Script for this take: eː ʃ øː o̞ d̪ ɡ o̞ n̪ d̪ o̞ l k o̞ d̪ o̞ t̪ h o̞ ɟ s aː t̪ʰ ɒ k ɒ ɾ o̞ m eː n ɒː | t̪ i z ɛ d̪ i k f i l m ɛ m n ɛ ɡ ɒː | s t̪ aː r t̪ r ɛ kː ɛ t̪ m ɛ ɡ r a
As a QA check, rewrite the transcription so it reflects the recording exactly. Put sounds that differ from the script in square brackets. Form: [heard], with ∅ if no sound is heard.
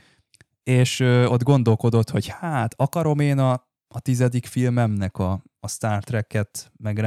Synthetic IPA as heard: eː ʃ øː o̞ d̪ ɡ o̞ n̪ d̪ o̞ l k o̞ d̪ o̞ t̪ h o̞ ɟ [h] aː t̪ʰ ɒ k ɒ ɾ o̞ m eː n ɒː | t̪ i z ɛ d̪ i k f i l m ɛ m n ɛ [k] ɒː | s t̪ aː r t̪ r ɛ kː ɛ t̪ m ɛ ɡ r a